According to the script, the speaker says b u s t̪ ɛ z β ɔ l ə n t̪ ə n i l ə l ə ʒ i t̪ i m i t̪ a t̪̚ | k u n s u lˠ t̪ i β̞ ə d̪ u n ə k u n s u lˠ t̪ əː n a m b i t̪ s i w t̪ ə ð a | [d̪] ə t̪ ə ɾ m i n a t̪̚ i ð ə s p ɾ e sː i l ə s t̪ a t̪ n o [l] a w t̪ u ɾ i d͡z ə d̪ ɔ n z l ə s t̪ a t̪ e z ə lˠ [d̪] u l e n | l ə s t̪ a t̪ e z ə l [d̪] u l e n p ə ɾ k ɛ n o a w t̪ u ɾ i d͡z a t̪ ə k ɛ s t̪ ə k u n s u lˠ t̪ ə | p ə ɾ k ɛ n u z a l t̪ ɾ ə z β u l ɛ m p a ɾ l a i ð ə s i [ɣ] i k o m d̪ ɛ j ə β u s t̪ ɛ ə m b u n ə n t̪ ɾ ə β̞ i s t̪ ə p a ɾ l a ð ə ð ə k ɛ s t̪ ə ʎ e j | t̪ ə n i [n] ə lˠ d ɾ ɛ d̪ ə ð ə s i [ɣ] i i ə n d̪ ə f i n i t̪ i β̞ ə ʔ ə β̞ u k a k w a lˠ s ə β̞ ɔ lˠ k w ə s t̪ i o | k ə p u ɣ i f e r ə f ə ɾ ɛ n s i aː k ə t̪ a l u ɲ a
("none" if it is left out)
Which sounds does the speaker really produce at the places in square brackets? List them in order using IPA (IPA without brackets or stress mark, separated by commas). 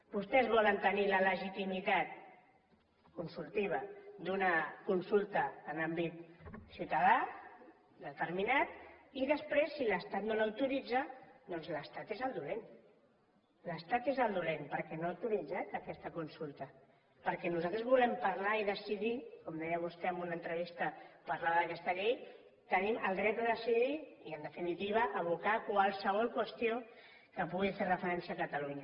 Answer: d̪, l, d̪, d̪, ð, m, ð